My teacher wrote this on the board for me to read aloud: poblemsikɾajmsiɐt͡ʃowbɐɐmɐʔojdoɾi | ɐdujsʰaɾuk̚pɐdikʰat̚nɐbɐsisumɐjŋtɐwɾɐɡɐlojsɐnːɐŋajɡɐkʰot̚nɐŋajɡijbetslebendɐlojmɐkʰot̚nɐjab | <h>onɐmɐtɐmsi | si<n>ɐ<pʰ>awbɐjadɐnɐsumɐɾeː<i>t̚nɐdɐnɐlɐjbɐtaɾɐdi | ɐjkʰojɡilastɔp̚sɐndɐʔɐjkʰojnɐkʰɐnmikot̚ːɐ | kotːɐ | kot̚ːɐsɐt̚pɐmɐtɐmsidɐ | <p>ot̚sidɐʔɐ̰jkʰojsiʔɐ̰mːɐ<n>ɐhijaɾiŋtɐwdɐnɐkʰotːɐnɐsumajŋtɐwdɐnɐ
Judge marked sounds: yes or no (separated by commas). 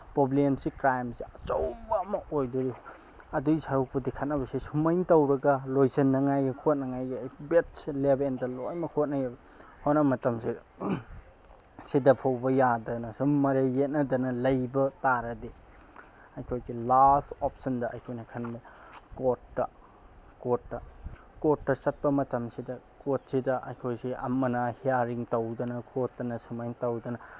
yes, no, yes, no, no, yes